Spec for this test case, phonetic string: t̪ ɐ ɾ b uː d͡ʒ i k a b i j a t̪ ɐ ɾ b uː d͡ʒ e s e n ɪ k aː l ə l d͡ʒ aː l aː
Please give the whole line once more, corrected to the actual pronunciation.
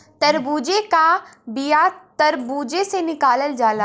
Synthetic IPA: t̪ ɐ ɾ b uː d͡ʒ e k a b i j a t̪ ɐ ɾ b uː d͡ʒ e s e n ɪ k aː l ə l d͡ʒ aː l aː

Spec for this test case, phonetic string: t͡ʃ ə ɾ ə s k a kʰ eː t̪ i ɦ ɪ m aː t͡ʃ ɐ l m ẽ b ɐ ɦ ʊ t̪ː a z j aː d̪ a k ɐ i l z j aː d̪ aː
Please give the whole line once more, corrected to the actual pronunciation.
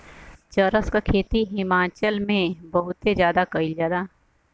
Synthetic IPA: t͡ʃ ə ɾ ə s k a kʰ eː t̪ i ɦ ɪ m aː t͡ʃ ə l m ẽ b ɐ ɦ ʊ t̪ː e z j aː d̪ a k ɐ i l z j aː d̪ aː

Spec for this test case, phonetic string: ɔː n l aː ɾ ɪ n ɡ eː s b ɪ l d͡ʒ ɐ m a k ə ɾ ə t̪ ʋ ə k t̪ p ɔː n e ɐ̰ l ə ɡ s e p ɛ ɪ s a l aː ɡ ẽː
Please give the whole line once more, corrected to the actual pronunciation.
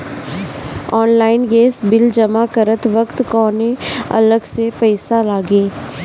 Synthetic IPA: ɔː n l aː ɪ n ɡ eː s b ɪ l d͡ʒ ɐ m a k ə ɾ ə t̪ ʋ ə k t̪ k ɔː n e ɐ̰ l ə ɡ s e p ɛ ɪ s a l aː ɡ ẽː

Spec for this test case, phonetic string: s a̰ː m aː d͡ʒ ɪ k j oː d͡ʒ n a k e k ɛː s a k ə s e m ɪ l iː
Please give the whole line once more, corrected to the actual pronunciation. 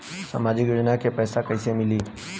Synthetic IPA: s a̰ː m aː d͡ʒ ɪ k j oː d͡ʒ n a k e p ɛː s a k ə s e m ɪ l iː

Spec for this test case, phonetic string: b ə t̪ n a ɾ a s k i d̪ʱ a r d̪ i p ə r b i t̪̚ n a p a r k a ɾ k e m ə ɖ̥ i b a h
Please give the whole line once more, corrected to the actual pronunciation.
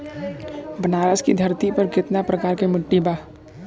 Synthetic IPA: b ə n a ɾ a s k i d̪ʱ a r t̪ i p ə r ɡ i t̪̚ n a p ə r k a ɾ k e m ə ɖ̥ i b a h

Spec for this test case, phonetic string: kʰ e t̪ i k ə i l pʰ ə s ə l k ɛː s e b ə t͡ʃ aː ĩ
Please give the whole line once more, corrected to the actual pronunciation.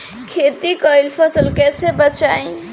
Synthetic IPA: kʰ e t̪ i k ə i l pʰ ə s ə l k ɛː s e b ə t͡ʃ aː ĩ

